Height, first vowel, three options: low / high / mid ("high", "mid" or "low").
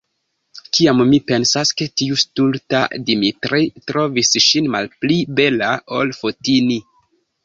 high